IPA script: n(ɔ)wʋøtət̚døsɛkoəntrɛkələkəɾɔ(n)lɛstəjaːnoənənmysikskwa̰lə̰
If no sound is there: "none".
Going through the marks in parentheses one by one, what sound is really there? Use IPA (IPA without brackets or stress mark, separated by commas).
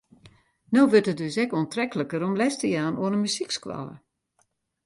o, m